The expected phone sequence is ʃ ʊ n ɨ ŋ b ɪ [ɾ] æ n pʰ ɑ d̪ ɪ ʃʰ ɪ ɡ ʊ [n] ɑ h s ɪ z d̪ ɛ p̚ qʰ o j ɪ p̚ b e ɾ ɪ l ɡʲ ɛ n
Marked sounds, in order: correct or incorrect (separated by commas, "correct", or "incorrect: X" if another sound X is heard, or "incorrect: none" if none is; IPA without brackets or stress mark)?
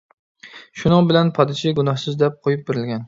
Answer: incorrect: l, correct